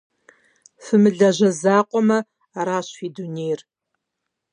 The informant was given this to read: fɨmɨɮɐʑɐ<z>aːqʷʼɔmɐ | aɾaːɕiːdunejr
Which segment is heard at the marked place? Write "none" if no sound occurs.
z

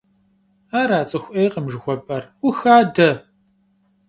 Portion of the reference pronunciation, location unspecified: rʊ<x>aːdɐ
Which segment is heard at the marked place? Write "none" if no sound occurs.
x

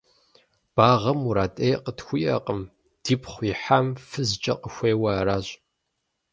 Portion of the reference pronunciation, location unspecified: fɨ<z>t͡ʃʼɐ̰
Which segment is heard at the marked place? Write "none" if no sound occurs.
z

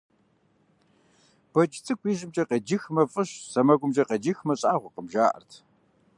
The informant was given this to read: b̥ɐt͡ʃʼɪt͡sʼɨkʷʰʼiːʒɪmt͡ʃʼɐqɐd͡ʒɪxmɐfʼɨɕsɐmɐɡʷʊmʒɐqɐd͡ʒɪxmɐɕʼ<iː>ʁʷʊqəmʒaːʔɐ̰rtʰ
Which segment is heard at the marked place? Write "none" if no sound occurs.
aː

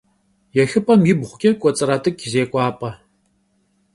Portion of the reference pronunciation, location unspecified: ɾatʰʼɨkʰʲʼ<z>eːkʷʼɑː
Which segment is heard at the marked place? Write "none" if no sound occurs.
z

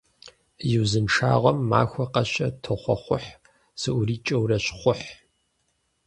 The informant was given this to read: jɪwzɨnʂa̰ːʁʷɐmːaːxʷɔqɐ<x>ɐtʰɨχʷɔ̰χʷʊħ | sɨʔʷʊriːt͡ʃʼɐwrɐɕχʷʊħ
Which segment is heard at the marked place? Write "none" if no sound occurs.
ɕ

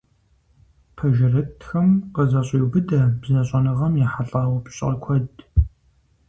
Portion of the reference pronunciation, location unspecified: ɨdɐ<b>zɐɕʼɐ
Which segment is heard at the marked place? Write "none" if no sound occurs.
b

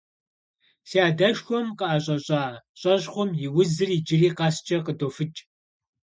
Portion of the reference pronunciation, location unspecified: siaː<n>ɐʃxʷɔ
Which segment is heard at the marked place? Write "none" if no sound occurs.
d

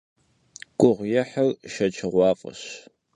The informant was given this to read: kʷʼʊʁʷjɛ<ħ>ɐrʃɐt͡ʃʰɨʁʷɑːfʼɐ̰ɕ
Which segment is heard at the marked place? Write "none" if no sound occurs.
ħ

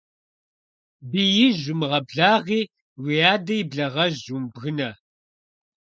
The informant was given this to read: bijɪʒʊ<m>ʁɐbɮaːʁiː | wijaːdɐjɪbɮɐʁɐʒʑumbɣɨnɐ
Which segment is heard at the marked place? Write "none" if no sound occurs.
m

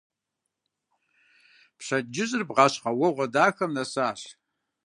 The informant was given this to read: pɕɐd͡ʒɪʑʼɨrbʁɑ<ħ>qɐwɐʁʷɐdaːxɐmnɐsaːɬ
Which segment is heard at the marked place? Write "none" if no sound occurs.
ɕ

